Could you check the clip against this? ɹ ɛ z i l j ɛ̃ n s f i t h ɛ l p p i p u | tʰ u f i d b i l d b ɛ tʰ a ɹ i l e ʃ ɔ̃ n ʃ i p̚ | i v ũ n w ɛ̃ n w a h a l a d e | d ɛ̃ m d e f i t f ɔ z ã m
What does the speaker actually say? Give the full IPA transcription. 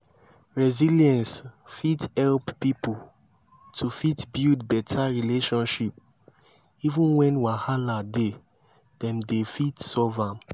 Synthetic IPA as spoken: ɹ ɛ z i l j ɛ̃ n s f i t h ɛ l p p i p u | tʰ u f i t b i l d b ɛ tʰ a ɹ i l e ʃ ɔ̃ n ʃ i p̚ | i v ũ n w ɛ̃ n w a h a l a d e | d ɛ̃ m d e f i t s ɔ v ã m

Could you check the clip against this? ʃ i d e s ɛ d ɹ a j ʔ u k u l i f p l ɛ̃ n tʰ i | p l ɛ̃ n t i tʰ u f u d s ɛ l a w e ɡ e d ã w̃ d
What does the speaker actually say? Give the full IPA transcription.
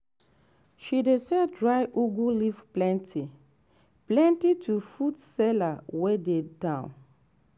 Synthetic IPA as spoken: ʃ i d e s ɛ d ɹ a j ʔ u ɡ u l i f p l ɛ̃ n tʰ i | p l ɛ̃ n t i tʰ u f u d s ɛ l a w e d e d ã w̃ n

